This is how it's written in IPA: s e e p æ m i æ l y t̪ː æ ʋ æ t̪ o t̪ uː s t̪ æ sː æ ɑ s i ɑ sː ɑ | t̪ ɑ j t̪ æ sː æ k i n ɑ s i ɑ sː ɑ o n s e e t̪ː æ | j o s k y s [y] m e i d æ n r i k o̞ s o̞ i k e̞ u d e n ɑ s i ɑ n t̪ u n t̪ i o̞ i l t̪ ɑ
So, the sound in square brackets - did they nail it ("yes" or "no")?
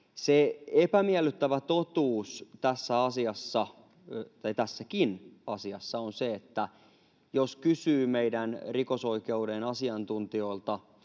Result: no